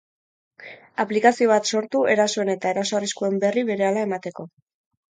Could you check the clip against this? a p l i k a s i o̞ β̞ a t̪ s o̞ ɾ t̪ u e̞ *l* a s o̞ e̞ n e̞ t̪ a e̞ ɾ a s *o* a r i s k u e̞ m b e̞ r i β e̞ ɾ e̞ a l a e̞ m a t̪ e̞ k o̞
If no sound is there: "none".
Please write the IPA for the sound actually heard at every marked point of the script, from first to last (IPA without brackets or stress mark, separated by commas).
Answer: ɾ, o